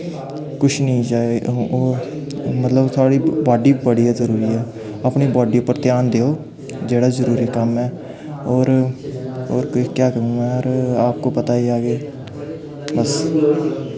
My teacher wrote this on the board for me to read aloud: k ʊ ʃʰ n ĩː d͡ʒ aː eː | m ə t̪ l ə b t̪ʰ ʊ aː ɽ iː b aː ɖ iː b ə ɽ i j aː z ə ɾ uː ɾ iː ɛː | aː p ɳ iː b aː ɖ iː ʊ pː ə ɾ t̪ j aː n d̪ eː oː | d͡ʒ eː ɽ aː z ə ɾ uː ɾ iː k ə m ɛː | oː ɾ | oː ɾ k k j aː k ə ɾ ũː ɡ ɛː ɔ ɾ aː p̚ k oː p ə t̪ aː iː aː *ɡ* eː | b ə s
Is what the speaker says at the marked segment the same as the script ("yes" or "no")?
yes